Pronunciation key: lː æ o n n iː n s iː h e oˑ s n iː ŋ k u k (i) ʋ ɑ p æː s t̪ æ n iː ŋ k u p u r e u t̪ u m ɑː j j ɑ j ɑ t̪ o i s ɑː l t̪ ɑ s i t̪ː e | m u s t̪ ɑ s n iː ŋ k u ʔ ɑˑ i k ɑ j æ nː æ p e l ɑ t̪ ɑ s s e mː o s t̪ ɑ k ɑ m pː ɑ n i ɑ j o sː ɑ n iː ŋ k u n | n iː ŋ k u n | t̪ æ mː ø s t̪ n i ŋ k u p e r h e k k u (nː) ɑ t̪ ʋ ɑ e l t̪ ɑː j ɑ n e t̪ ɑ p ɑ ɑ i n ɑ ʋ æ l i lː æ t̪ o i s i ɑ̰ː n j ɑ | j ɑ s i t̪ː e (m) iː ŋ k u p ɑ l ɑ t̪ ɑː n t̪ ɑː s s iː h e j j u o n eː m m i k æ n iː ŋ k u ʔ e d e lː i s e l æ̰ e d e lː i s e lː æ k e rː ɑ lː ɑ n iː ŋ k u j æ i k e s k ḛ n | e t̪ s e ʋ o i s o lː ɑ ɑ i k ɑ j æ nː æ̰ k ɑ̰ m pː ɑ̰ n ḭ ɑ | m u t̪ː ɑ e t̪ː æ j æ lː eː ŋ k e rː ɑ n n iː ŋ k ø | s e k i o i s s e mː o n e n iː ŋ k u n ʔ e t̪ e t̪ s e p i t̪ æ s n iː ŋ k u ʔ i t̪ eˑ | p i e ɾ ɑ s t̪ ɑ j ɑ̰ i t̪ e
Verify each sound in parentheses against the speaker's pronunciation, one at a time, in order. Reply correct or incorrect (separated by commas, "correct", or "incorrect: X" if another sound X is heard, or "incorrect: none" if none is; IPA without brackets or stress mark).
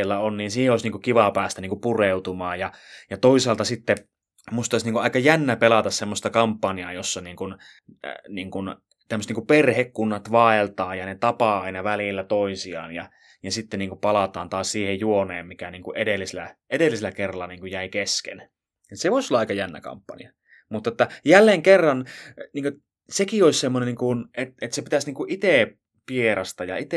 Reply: correct, correct, incorrect: n